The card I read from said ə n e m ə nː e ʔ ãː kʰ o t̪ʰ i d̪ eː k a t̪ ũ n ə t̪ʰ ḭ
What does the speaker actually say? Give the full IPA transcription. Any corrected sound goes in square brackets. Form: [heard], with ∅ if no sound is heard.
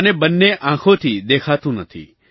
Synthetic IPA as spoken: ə n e [b] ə nː e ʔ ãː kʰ o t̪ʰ i d̪ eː [kʰ] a t̪ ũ n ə t̪ʰ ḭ

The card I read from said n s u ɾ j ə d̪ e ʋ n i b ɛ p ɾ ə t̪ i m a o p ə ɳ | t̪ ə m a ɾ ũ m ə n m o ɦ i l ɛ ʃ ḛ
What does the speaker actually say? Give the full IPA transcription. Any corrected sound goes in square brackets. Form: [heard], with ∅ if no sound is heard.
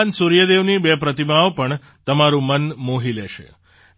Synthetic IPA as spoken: n s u ɾ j ə d̪ e ʋ n i b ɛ p ɾ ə t̪ i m a o p ə ɳ | t̪ ə m a ɾ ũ m ə n m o ɦ i l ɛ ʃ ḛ

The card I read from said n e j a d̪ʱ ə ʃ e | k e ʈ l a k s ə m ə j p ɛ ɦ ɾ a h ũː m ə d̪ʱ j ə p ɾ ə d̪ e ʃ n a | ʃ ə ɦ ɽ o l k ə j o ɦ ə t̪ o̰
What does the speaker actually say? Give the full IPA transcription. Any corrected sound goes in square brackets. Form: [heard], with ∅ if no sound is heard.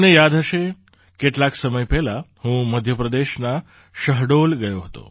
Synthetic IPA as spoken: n e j a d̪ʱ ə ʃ e | k e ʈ l a k s ə m ə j p ɛ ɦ [l] a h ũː m ə d̪ʱ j ə p ɾ ə d̪ e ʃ n a | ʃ ə ɦ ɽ o l [ɡ] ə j o ɦ ə t̪ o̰

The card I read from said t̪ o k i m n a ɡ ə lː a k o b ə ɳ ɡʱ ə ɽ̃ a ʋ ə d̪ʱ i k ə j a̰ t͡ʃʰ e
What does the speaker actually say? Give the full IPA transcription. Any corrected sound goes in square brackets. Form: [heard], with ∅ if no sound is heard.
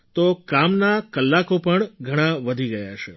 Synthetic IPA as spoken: t̪ o k [a] m n a [k] ə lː a k o [p] ə ɳ ɡʱ ə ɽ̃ a ʋ ə d̪ʱ i [ɡ] ə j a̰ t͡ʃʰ e

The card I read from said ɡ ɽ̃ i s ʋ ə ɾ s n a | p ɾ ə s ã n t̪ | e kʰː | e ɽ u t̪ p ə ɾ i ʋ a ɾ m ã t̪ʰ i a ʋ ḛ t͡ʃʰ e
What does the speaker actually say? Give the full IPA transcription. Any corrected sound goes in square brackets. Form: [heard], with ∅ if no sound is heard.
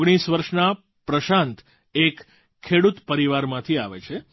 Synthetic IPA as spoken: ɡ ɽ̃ i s ʋ ə ɾ [ʃ] n a | p ɾ ə [ʃ] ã n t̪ | e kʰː | e ɽ u t̪ p ə ɾ i ʋ a ɾ m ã t̪ʰ i a ʋ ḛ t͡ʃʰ e

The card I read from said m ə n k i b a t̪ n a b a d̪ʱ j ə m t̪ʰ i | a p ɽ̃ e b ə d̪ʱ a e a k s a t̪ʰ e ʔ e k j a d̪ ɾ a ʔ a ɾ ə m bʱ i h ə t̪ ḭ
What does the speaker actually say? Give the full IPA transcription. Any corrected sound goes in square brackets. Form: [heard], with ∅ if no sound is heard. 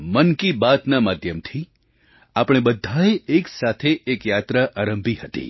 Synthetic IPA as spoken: m ə n k i b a t̪ n a [m] a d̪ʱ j ə m t̪ʰ i | a p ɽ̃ e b ə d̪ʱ a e [e] k s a t̪ʰ e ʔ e k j a [t̪] ɾ a ʔ a ɾ ə m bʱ i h ə t̪ ḭ

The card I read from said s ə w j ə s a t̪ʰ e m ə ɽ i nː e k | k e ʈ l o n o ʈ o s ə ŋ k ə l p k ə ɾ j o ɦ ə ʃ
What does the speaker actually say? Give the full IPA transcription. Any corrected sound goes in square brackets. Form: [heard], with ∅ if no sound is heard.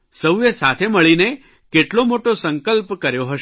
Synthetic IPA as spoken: s ə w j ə s a t̪ʰ e m ə [ɭ] i [n] e [∅] | k e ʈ l o [m] o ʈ o s ə ŋ k ə l p k ə ɾ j o ɦ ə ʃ

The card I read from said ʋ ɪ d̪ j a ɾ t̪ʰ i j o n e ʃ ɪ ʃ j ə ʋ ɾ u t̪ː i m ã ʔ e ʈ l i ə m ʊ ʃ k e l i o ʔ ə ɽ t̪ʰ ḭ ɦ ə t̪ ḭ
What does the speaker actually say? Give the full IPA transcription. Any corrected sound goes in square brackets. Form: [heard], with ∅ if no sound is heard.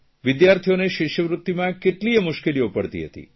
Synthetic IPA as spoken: ʋ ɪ d̪ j a ɾ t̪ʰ i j o n e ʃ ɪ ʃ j ə ʋ ɾ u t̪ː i m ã [k] e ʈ l i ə m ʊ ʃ k e l i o [p] ə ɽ [t̪] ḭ ɦ ə t̪ ḭ

